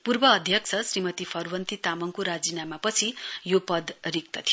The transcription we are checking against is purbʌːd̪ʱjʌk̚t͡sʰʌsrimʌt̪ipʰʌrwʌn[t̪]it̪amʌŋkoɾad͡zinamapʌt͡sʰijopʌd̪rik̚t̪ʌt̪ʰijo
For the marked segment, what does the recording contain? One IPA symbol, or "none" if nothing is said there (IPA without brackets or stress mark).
t̪